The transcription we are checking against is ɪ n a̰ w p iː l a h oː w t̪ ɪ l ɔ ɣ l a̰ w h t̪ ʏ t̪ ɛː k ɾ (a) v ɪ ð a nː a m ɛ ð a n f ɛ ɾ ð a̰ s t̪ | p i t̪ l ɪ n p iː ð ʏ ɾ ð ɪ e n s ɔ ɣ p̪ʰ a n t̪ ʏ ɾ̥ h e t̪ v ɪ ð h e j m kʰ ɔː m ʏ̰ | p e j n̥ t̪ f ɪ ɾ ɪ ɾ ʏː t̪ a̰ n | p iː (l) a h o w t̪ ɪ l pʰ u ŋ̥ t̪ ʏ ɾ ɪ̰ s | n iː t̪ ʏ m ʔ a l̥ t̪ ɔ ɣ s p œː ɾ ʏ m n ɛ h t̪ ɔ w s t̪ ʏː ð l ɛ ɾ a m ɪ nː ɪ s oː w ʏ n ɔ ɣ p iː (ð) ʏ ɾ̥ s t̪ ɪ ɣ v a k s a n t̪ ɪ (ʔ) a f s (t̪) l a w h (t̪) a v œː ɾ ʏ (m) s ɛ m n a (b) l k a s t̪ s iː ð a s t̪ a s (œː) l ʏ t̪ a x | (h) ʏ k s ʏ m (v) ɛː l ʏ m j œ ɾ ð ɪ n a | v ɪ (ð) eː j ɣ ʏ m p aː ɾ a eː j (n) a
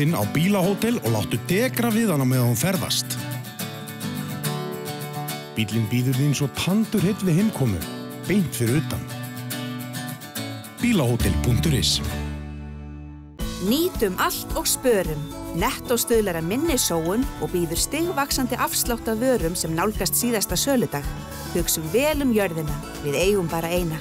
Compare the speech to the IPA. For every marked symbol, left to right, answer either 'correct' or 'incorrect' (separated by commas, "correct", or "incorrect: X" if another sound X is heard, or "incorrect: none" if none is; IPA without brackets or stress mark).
correct, correct, correct, correct, correct, correct, correct, incorrect: w, correct, correct, correct, correct, correct